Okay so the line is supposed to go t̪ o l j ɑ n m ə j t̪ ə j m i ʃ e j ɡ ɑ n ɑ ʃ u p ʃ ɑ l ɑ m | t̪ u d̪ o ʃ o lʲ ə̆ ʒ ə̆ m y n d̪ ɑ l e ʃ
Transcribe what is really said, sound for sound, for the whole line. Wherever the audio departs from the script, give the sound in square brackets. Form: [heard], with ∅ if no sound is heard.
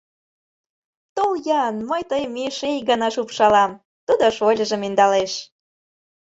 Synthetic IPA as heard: t̪ o l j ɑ n m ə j t̪ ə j m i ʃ e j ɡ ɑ n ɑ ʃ u p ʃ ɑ l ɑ m | t̪ u d̪ o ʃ o lʲ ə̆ ʒ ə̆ m [i] n d̪ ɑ l e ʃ